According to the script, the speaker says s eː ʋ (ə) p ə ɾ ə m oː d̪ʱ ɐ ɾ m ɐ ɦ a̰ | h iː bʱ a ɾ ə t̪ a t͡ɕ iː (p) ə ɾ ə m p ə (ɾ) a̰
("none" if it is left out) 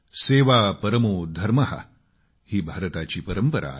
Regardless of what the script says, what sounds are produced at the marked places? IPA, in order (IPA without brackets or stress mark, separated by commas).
a, p, ɾ